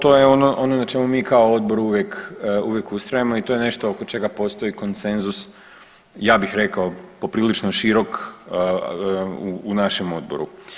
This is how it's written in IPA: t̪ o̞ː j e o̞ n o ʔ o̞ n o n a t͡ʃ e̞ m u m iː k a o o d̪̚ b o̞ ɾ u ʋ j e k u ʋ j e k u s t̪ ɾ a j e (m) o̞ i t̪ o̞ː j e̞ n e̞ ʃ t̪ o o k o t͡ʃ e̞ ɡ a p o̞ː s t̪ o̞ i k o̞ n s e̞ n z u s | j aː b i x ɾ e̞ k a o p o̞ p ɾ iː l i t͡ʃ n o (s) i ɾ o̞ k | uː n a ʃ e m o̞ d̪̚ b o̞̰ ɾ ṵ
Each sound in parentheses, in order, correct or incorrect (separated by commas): correct, incorrect